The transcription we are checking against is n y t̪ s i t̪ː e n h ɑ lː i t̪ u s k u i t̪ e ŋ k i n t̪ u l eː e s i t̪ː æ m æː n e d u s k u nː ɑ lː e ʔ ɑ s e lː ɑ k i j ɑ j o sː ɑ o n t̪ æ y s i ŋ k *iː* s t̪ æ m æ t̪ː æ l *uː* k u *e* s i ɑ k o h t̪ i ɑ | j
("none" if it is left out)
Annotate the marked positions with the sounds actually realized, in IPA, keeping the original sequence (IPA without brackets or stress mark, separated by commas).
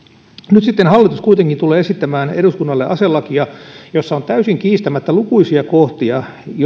iː, u, i